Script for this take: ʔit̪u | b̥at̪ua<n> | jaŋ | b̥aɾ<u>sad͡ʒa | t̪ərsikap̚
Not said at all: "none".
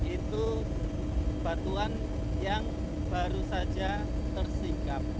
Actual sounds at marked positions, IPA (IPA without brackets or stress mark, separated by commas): n, u